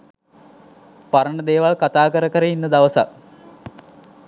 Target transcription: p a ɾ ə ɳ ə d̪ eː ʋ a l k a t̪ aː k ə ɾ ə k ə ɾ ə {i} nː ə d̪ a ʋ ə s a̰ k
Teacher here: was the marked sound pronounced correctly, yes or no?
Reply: yes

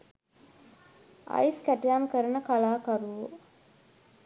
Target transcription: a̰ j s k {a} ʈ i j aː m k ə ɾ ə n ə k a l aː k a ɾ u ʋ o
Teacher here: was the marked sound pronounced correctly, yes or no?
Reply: no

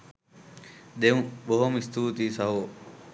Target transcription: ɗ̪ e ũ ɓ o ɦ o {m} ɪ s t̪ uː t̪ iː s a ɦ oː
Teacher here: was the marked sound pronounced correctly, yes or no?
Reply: yes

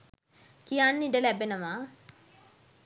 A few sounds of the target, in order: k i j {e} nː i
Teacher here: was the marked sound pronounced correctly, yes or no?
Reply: no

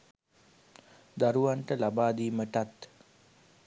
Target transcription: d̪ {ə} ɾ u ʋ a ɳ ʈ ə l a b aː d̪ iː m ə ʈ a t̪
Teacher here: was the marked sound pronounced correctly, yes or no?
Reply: no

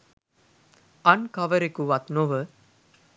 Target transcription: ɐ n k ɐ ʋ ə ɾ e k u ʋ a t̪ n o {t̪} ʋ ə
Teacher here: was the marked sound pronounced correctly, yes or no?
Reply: no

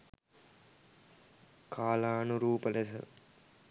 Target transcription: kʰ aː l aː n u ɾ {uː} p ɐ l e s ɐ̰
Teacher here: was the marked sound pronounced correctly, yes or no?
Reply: yes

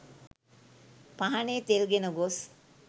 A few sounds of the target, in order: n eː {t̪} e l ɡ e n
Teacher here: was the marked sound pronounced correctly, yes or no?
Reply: yes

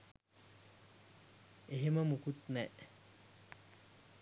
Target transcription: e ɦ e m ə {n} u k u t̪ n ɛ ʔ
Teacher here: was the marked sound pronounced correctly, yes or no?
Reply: no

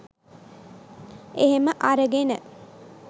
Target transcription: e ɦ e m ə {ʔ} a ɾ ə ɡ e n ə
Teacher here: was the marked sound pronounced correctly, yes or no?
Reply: yes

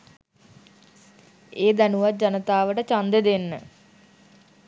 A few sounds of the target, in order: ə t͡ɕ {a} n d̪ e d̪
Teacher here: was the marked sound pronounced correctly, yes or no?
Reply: yes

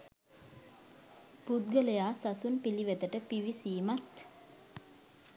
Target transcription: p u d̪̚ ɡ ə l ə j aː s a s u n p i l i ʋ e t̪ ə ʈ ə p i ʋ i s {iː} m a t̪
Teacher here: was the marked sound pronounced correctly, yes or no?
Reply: yes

